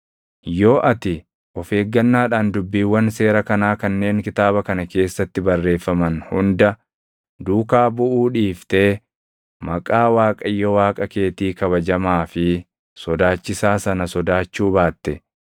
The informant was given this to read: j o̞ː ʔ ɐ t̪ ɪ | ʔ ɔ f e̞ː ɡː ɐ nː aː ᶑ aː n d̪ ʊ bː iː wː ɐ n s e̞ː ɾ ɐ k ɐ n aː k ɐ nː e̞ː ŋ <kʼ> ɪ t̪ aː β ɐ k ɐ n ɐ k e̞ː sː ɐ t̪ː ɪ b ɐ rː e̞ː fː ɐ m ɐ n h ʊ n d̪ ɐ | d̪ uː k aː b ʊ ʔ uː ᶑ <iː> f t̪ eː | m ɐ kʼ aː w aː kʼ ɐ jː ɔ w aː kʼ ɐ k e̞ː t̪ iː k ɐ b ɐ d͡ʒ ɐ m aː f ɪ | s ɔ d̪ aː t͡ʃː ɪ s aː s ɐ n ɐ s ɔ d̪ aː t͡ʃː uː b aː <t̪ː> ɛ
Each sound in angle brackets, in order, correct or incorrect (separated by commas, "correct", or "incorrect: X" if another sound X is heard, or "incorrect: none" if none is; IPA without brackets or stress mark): incorrect: k, correct, correct